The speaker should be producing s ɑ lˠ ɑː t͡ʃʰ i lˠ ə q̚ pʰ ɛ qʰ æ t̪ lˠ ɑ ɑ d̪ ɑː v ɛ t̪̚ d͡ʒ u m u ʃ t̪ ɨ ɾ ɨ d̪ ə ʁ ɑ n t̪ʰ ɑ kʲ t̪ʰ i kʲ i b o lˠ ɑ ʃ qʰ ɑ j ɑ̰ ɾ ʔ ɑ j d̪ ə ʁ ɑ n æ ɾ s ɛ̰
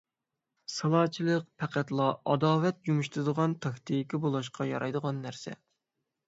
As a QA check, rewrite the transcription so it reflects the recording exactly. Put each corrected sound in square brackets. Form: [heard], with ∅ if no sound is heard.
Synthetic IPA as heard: s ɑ lˠ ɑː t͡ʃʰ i lˠ ə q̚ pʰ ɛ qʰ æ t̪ lˠ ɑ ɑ d̪ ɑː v ɛ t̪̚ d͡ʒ u m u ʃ t̪ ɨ ɾ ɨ d̪ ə ʁ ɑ n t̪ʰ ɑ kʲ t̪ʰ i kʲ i b o lˠ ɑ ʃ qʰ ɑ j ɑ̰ ɾ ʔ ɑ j d̪ ə ʁ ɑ [nː] æ ɾ s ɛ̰